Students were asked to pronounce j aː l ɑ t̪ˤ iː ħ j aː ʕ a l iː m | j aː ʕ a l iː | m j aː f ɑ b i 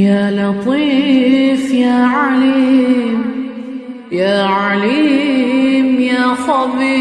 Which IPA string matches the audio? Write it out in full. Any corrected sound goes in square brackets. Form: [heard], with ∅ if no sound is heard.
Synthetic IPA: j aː l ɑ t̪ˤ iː [f] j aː ʕ a l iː m | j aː ʕ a l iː | m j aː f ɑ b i